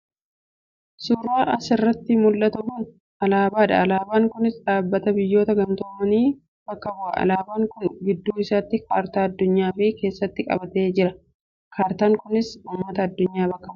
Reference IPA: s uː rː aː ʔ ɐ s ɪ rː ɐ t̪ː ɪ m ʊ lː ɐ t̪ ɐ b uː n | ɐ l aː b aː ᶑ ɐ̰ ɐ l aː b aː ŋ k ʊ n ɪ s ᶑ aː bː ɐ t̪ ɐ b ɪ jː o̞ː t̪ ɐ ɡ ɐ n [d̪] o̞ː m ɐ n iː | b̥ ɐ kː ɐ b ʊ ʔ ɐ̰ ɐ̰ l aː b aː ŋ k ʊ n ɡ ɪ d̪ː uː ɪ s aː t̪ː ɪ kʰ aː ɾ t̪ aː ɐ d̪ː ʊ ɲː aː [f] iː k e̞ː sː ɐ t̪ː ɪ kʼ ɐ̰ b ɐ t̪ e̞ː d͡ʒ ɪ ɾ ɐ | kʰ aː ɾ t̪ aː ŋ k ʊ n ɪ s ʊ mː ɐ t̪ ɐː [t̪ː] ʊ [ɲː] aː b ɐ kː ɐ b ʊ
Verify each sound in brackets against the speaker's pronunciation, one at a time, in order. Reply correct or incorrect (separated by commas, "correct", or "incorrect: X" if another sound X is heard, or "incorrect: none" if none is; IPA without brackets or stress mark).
incorrect: t̪, correct, incorrect: d̪ː, correct